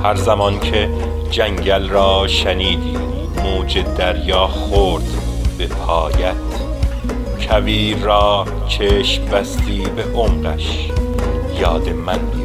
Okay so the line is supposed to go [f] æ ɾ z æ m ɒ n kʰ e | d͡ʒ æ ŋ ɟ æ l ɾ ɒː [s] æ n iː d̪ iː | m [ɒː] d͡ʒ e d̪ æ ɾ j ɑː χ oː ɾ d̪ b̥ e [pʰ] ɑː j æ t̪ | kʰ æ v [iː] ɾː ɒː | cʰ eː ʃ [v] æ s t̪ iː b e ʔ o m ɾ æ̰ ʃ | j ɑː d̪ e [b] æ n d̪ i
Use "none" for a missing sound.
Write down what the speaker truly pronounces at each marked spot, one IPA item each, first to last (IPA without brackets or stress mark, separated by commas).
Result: h, ʃ, uː, pʰ, iː, b, m